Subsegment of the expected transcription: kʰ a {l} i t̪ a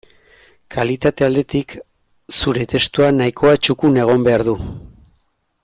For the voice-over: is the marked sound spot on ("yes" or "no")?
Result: yes